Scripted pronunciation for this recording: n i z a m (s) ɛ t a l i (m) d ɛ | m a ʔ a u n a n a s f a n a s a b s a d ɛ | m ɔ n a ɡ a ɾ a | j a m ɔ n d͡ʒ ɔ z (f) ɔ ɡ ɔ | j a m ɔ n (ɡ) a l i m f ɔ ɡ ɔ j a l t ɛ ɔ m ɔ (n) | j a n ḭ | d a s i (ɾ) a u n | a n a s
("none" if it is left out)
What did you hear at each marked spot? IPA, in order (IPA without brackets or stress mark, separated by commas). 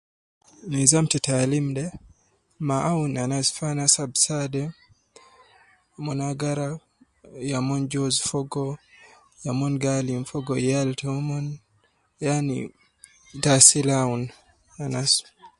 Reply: t, m, f, ɡ, n, l